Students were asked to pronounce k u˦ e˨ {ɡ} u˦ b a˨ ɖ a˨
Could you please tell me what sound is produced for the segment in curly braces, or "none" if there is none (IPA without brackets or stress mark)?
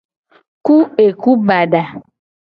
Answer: k